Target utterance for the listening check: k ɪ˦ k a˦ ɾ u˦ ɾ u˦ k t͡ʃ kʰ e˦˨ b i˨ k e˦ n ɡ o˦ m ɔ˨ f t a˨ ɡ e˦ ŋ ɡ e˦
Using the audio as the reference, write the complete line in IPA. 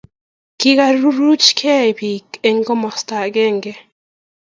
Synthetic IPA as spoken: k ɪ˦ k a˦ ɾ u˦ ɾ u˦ t͡ʃ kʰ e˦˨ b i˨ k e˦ ŋ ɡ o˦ m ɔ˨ s t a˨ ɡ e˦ ŋ ɡ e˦